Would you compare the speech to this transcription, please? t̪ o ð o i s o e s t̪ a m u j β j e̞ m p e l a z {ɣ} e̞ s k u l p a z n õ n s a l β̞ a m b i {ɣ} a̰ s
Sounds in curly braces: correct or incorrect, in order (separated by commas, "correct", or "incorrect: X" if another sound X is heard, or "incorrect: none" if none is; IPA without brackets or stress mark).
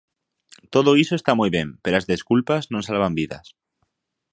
incorrect: ð, incorrect: ð